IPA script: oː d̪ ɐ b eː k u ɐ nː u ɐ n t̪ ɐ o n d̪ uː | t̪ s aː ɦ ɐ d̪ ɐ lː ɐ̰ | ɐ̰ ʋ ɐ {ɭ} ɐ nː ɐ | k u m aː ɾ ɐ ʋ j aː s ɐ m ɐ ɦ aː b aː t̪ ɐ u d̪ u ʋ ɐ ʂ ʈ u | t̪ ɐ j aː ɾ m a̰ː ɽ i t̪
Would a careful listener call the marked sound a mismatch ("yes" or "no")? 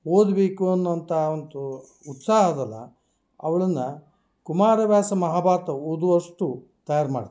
no